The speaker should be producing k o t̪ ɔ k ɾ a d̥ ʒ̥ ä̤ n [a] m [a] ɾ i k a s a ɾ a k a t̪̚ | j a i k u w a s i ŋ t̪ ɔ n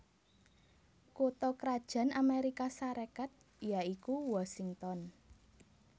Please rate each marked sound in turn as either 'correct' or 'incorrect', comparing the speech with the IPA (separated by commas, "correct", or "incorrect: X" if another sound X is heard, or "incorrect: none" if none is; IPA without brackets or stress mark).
correct, incorrect: e